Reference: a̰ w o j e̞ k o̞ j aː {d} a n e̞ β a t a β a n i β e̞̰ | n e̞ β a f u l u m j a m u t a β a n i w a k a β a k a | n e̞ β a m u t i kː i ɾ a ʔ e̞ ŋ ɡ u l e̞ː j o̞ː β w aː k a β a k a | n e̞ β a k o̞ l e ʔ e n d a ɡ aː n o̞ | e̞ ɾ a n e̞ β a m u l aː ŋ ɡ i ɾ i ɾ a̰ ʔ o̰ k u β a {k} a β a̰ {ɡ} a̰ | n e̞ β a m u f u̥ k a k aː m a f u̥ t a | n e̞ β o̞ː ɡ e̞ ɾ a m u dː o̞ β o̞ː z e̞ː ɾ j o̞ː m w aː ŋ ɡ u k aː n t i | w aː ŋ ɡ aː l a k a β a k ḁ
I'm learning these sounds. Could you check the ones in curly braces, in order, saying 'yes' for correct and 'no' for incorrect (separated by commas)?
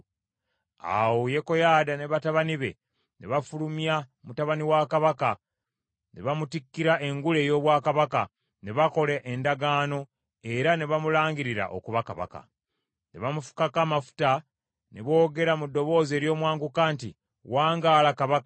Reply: yes, yes, no